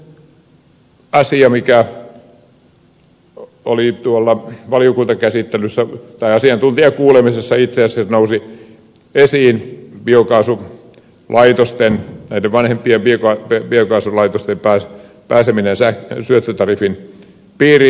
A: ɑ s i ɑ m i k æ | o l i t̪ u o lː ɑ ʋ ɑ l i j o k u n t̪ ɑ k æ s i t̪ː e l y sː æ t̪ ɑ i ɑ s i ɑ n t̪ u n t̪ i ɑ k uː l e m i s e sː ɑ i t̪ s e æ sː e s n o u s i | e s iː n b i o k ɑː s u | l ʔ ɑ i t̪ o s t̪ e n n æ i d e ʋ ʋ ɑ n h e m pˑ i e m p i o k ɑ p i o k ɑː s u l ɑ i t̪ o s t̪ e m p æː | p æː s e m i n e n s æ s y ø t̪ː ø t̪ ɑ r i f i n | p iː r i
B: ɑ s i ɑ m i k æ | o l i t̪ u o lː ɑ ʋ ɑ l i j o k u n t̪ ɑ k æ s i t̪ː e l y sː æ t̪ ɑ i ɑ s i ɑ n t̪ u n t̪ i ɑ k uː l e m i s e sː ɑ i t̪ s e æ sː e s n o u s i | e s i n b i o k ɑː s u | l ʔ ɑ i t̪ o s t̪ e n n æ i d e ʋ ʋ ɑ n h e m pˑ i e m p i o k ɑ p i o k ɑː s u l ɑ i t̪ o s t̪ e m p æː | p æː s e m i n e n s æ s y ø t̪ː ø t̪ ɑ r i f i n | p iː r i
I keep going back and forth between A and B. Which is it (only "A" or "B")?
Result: A